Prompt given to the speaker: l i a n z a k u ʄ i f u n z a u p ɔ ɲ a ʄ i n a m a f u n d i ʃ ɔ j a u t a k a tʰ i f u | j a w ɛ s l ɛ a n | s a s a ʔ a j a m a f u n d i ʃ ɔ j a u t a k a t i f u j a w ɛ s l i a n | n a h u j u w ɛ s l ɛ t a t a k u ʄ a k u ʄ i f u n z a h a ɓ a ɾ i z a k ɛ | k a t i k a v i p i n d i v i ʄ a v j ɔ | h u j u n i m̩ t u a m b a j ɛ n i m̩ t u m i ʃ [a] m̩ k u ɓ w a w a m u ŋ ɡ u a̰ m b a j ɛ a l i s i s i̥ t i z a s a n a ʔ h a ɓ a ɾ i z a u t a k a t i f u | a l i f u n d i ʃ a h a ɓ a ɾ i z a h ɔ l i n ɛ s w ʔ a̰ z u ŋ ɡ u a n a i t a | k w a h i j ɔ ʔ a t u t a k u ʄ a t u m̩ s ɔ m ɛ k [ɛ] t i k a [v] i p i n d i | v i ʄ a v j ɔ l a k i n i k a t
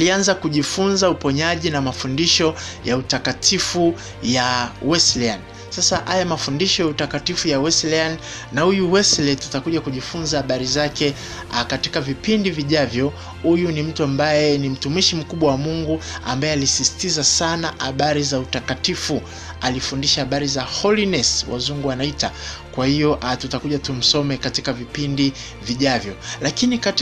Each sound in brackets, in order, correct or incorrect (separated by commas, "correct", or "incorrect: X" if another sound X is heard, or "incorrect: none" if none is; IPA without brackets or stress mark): incorrect: i, incorrect: a, correct